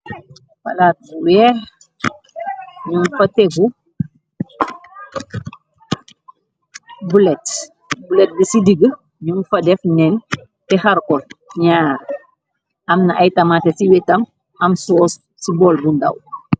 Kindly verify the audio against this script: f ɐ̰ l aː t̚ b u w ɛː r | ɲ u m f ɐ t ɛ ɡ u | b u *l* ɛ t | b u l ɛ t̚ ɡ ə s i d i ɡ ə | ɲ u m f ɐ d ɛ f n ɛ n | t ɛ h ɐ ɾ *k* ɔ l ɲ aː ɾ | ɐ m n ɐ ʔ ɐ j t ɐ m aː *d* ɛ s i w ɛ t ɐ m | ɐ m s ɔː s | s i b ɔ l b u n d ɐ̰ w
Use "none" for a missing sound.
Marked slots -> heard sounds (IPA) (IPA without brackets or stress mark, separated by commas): l, k, t